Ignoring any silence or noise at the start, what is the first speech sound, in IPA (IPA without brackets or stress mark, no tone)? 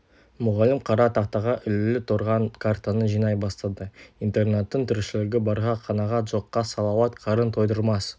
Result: m